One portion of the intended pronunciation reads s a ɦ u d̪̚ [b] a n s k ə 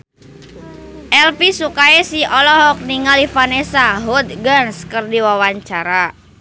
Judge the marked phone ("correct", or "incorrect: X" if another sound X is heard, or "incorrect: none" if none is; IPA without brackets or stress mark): incorrect: ɡ